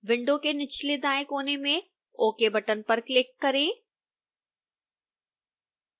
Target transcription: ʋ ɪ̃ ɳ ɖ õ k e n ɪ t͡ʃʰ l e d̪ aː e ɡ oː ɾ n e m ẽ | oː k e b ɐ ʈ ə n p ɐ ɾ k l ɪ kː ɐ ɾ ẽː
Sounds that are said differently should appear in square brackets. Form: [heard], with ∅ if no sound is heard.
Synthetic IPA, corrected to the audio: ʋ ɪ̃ ɳ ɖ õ k e n ɪ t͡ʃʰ l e d̪ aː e [k] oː [∅] n e m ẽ | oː k e b ɐ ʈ ə n p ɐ ɾ k l ɪ kː ɐ ɾ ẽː